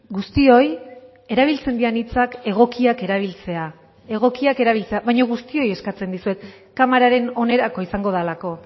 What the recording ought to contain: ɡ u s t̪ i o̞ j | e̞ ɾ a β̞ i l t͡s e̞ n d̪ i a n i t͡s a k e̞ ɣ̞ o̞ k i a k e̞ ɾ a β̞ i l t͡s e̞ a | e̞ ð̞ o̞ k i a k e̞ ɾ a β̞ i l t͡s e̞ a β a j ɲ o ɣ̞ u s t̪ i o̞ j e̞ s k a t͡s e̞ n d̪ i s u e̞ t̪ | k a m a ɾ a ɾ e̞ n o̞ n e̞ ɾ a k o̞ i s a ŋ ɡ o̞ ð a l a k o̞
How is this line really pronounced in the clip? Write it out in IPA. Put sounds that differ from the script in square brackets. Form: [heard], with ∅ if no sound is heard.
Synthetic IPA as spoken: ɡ u s t̪ i o̞ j | e̞ ɾ a β̞ i l t͡s e̞ n d̪ i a n i t͡s a k e̞ ɣ̞ o̞ k i a k e̞ ɾ a β̞ i l t͡s e̞ a | e̞ [ɣ̞] o̞ k i a k e̞ ɾ a β̞ i l t͡s e̞ a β a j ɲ o ɣ̞ u s t̪ i o̞ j e̞ s k a t͡s e̞ n d̪ i s u e̞ t̪ | k a m a ɾ a ɾ e̞ n o̞ n e̞ ɾ a k o̞ i s a ŋ ɡ o̞ ð a l a k o̞